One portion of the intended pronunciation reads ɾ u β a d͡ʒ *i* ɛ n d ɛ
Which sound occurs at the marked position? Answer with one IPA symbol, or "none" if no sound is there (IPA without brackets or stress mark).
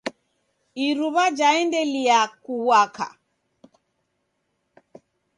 a